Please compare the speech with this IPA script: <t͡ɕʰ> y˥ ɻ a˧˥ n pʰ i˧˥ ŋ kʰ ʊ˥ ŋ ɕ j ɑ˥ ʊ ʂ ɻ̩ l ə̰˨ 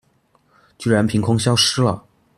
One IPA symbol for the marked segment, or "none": t͡ɕ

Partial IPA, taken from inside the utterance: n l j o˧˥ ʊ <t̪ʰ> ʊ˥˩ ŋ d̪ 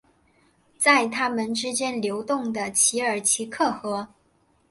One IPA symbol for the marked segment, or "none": t̪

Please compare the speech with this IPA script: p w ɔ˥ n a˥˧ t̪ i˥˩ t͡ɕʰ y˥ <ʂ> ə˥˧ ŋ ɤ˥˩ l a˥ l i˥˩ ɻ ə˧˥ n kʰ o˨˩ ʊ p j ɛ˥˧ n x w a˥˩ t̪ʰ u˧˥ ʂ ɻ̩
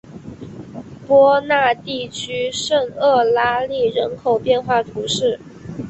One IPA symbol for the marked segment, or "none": ʂ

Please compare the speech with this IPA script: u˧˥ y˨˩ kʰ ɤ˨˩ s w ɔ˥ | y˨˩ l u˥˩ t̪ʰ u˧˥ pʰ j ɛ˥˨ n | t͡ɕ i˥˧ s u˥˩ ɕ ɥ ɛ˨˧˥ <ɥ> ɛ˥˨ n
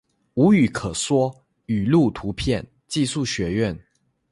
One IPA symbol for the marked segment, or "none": ɥ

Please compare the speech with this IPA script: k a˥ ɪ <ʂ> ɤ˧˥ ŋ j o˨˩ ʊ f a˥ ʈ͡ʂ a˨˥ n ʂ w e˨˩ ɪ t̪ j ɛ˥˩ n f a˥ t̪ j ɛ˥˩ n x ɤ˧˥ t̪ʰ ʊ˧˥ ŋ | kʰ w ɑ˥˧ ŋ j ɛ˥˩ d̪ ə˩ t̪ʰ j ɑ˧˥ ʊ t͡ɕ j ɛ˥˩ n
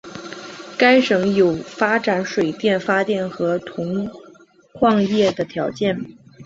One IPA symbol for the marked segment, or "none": ʂ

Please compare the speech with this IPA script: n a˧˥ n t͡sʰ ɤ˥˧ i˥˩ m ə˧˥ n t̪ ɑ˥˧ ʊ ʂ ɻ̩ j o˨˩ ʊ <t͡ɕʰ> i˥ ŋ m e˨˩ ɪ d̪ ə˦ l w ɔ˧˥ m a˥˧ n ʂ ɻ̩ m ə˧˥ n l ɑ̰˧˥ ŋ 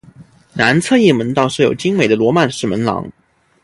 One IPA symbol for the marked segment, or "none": t͡ɕ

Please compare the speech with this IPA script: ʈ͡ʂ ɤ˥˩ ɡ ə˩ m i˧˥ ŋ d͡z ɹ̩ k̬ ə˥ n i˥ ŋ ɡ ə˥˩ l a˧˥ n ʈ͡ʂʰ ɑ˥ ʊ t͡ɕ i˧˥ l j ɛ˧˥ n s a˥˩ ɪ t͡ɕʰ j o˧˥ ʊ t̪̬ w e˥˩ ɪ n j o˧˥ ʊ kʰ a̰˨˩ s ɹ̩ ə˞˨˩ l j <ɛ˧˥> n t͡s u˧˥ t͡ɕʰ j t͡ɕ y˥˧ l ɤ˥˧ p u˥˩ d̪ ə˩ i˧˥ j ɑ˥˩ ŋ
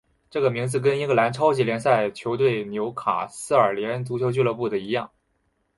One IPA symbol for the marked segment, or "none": ɛ˧˥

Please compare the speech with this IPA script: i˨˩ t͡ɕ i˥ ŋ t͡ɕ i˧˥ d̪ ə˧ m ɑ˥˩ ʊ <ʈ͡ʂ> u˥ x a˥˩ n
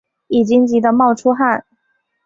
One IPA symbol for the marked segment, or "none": ʈ͡ʂʰ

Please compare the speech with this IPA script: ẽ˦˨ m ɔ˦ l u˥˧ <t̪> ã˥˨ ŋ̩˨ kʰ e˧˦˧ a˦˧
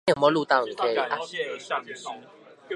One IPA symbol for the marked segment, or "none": t̪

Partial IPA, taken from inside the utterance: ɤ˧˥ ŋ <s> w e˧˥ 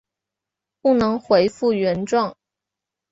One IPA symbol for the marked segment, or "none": x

